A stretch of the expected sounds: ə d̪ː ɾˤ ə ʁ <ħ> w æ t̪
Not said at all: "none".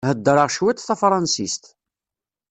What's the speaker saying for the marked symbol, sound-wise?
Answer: ʃ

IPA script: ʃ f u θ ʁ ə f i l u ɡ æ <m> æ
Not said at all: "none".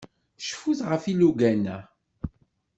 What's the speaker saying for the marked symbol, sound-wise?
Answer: n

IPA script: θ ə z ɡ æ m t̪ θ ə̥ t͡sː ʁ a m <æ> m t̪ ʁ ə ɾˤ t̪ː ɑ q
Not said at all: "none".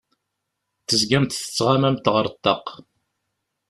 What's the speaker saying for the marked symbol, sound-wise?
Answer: æ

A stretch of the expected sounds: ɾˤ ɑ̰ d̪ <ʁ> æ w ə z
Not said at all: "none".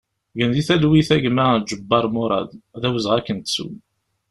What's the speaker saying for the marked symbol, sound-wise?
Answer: ð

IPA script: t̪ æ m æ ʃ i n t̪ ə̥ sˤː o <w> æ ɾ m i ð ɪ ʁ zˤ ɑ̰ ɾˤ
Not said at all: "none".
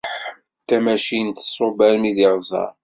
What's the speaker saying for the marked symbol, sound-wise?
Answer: b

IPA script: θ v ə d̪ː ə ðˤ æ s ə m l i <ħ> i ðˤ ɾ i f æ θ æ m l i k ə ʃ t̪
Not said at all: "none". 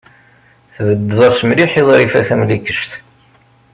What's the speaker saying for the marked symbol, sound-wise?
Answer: ħ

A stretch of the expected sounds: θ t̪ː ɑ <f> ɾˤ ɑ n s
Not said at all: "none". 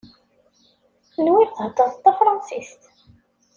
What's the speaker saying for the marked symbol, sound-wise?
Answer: f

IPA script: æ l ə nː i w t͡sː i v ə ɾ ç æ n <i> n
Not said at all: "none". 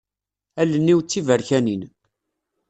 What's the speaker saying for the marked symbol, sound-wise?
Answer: i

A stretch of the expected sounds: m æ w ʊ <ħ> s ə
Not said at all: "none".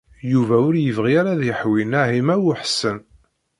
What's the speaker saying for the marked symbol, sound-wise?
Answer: ħ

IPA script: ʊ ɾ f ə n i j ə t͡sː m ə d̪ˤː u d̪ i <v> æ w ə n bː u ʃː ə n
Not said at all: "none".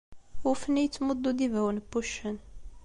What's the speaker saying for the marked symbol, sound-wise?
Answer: v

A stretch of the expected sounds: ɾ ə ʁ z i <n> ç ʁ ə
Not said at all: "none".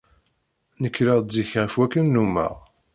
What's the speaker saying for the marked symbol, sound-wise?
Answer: none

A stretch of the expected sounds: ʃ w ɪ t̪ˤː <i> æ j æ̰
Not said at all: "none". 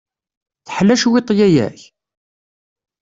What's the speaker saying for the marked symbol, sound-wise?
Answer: j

